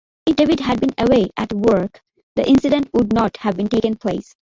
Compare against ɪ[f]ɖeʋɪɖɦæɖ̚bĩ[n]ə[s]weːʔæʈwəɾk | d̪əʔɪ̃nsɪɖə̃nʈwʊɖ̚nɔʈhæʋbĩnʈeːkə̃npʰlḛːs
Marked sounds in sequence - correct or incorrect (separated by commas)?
correct, correct, incorrect